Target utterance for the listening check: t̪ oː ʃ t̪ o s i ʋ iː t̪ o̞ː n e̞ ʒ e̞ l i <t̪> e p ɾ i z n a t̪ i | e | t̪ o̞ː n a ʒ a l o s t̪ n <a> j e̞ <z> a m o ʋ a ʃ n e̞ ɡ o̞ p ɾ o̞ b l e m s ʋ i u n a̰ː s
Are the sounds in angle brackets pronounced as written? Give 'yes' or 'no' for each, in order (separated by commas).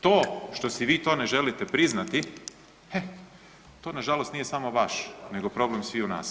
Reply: yes, no, no